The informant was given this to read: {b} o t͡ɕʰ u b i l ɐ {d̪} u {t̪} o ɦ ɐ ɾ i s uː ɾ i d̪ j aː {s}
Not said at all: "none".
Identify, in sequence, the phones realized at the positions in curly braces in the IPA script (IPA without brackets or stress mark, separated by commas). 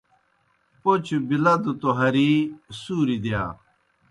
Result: p, d̪, t̪, none